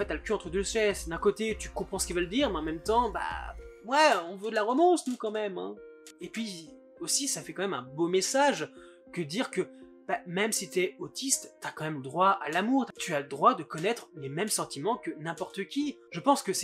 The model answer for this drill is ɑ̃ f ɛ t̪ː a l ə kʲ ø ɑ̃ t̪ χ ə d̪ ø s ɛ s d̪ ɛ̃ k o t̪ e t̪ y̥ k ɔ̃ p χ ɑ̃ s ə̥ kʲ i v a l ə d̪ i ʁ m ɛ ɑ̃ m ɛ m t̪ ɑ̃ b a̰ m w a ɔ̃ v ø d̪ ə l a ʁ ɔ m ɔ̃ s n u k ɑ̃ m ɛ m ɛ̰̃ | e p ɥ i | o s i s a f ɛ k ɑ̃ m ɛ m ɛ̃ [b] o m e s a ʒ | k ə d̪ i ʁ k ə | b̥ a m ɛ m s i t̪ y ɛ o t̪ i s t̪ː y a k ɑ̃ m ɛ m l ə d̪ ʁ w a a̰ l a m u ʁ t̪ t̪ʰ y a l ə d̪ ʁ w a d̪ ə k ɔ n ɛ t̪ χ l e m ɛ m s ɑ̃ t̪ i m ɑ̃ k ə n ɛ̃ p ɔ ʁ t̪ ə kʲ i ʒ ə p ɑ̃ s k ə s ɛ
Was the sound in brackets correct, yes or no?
yes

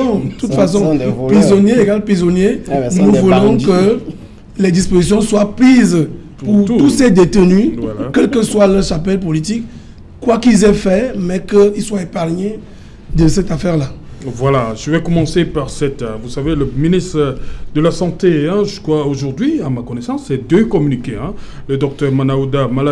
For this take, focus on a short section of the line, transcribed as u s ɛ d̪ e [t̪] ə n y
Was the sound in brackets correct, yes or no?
yes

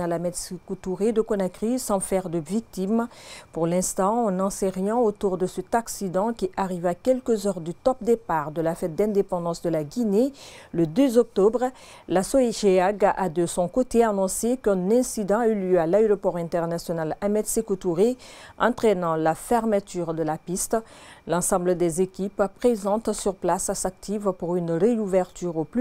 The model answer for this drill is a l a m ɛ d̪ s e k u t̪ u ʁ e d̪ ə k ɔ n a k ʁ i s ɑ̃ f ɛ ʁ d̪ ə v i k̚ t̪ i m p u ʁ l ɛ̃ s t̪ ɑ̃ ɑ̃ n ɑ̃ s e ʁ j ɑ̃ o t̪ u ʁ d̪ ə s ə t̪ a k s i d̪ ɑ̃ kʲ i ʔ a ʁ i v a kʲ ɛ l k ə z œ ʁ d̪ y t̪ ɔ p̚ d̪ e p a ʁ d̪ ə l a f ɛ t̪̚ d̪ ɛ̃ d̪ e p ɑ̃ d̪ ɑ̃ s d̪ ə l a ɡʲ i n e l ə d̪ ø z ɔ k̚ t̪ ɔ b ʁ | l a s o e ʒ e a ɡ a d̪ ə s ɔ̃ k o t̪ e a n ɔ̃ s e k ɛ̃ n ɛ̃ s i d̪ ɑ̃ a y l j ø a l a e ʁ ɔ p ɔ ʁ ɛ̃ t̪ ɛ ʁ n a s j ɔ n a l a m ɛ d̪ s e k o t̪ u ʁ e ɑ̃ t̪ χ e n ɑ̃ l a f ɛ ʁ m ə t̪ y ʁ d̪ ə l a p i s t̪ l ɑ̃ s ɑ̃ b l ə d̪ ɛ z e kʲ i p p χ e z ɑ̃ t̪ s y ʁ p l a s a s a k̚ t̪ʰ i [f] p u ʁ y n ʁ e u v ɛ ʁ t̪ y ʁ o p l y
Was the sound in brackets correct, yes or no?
no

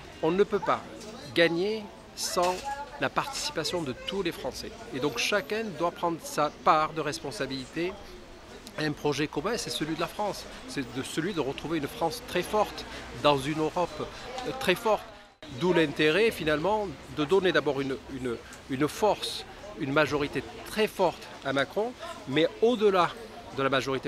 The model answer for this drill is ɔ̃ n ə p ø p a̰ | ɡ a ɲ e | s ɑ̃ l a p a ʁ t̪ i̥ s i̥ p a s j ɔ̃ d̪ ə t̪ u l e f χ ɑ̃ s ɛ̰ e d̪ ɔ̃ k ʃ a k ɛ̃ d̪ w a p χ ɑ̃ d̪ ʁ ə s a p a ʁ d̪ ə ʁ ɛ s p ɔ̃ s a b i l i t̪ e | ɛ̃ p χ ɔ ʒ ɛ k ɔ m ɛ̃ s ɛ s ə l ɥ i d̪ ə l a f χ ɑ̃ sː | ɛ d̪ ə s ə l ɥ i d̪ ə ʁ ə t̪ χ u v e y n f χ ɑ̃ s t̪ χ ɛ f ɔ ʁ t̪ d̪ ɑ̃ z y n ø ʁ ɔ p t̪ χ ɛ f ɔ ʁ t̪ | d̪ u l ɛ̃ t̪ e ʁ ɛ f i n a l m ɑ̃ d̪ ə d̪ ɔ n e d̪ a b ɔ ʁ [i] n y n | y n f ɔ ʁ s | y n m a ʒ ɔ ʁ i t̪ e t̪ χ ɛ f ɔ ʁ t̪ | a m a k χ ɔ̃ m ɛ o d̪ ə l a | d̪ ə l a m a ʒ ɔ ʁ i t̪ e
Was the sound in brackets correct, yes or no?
no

